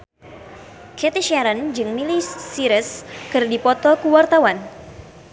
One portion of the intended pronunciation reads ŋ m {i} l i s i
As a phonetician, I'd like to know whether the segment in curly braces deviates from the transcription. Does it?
no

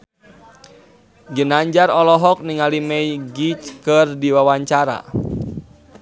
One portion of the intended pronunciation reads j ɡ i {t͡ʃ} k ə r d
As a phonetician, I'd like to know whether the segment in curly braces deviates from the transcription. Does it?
no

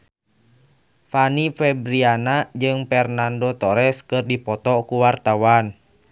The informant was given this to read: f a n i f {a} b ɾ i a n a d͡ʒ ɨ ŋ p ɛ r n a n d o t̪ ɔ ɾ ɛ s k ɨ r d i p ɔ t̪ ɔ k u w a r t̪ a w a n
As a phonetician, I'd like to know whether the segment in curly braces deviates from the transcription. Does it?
yes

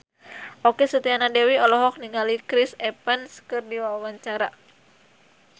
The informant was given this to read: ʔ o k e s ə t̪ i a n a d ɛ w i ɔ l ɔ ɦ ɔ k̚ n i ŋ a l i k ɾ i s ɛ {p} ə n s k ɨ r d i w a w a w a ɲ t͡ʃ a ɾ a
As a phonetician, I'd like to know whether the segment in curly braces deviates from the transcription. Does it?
no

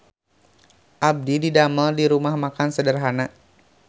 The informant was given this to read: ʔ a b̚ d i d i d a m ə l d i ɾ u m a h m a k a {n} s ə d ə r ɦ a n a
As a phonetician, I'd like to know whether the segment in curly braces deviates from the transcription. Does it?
no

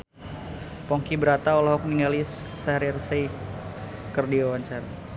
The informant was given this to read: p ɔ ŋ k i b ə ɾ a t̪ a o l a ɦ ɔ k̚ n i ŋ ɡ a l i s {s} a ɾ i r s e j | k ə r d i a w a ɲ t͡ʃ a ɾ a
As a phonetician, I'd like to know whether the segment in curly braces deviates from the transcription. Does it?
no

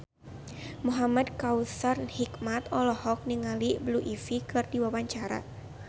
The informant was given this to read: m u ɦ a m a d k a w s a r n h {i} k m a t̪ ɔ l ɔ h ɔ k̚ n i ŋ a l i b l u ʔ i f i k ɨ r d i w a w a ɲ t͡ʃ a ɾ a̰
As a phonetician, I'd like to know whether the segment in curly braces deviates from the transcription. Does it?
no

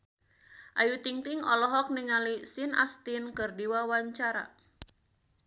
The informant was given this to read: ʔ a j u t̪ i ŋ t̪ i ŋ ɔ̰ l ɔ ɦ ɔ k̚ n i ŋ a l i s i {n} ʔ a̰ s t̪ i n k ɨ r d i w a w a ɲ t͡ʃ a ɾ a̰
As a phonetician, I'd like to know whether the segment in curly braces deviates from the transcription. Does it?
no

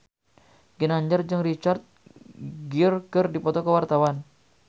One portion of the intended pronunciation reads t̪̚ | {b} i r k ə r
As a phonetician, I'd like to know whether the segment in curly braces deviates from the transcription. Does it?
yes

